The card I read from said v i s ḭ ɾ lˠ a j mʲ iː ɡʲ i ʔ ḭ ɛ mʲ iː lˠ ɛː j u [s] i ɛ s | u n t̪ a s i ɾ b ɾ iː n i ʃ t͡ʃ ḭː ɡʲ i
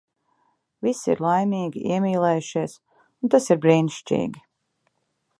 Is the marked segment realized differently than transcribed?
yes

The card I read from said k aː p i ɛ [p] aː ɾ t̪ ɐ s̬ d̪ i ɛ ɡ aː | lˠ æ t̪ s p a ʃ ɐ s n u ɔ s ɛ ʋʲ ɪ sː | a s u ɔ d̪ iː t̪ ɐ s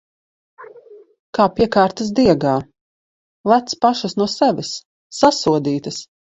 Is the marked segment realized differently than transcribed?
yes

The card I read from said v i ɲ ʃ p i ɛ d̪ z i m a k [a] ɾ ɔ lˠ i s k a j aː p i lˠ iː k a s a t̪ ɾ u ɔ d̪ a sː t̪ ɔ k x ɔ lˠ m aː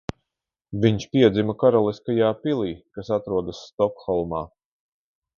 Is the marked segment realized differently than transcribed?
no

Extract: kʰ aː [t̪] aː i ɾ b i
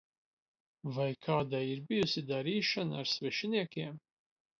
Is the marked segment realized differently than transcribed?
yes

